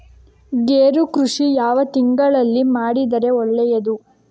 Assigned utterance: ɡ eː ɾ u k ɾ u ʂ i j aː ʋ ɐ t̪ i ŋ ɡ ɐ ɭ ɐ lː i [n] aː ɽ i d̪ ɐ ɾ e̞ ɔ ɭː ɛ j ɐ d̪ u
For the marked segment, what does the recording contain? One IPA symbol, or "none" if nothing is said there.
m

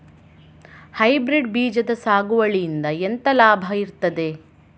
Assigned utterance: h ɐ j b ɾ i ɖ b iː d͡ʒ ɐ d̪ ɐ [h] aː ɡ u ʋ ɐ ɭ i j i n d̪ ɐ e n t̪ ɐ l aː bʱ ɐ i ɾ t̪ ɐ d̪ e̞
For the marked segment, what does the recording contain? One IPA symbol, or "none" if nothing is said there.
s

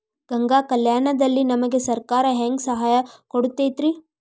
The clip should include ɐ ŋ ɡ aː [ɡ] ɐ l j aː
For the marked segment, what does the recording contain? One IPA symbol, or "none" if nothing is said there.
k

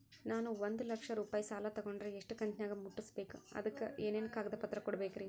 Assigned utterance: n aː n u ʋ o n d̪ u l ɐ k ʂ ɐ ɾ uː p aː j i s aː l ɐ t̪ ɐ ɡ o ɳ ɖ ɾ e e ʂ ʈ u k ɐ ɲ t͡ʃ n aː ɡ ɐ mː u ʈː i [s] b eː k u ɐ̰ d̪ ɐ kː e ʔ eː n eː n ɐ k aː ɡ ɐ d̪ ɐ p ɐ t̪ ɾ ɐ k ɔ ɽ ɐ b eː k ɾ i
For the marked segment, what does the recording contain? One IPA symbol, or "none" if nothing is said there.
s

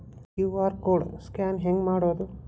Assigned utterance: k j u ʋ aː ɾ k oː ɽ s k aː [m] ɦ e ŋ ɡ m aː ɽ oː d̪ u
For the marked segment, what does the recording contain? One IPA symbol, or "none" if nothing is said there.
n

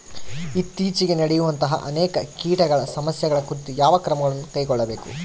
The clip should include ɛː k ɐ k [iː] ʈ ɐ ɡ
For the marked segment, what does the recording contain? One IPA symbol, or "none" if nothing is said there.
iː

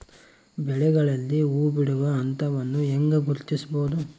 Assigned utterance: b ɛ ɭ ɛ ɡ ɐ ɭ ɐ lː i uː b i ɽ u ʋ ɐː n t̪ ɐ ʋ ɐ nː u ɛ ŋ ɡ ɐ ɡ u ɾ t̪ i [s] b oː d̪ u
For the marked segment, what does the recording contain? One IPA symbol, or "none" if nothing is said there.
s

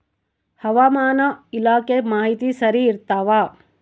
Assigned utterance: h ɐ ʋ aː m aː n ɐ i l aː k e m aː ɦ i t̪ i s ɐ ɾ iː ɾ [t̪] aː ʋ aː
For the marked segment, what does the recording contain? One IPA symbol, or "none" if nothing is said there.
t̪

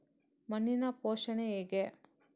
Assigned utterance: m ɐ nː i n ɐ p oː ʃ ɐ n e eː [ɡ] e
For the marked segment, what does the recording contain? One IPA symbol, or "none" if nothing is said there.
ɡ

